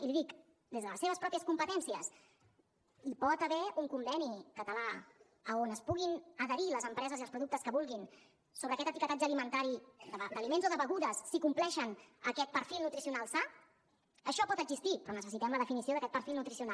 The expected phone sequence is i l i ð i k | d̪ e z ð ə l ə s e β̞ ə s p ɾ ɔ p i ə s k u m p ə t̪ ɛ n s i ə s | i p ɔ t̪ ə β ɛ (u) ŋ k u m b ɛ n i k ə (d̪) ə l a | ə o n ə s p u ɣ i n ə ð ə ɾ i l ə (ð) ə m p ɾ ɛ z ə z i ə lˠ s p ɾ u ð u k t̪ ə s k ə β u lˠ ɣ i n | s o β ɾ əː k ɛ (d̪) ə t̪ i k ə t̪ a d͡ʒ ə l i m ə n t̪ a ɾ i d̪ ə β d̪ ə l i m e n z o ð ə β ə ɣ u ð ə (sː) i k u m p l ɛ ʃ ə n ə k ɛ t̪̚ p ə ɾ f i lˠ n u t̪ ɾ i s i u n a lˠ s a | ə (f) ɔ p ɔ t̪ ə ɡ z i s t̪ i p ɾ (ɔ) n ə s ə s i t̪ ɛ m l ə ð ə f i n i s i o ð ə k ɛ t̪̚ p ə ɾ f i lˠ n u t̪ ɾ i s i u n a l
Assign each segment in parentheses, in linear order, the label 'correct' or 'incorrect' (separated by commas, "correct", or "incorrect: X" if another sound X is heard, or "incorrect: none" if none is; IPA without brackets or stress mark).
correct, incorrect: t̪, incorrect: z, incorrect: t̪, correct, incorrect: ʃ, correct